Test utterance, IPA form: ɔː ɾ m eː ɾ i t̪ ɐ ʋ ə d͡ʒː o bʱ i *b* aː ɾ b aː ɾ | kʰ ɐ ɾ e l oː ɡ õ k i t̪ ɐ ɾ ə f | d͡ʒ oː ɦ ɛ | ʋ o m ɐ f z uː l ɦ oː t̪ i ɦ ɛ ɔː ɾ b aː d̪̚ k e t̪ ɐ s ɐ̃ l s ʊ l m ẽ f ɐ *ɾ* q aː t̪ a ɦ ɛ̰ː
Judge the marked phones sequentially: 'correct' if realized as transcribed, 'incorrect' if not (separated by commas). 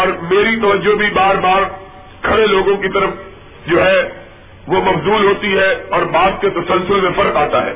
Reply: correct, correct